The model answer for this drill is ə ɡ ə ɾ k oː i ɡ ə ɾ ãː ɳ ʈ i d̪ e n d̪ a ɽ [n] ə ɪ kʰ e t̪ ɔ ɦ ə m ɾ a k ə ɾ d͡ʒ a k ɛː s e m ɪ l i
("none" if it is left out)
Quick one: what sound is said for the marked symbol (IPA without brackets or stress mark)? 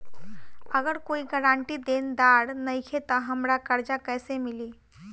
n